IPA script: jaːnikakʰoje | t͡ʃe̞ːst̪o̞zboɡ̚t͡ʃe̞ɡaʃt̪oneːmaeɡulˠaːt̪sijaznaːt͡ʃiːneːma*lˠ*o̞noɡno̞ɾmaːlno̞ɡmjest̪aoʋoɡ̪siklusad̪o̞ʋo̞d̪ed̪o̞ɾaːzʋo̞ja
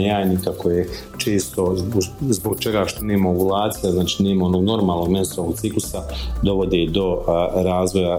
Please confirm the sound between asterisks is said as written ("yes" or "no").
no